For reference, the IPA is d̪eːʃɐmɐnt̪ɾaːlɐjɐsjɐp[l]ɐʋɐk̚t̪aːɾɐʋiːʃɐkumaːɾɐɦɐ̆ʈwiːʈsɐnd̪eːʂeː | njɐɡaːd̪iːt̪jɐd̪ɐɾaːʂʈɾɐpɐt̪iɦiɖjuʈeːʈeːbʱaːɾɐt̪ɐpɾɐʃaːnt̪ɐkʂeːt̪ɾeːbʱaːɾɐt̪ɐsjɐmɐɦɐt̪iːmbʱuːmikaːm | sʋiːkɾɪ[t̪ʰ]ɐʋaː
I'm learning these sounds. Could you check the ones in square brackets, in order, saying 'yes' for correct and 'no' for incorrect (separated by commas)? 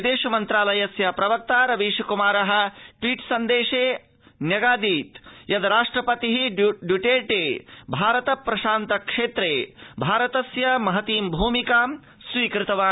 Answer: no, no